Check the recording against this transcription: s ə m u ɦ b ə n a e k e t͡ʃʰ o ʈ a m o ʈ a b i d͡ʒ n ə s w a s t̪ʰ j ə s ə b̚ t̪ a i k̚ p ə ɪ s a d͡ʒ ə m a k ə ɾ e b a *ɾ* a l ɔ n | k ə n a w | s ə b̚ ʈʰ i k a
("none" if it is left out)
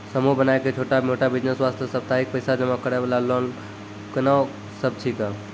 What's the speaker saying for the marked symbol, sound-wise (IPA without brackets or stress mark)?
l